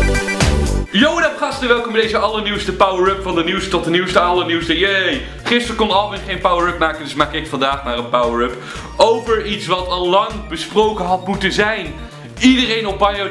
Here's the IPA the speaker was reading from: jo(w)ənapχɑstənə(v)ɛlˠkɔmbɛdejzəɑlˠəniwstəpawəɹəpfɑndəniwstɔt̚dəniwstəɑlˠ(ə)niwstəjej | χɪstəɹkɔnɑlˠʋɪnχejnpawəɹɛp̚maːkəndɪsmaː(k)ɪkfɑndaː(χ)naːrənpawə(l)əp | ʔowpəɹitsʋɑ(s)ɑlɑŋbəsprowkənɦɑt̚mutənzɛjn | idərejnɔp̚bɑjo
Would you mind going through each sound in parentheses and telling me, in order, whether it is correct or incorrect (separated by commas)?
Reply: correct, incorrect, correct, correct, correct, incorrect, incorrect